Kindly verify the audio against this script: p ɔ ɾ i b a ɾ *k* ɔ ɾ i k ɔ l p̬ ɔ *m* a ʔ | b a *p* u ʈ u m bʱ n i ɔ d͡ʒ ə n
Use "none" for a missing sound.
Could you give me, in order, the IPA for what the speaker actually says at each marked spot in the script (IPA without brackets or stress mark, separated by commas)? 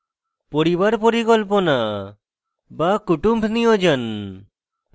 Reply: p, n, k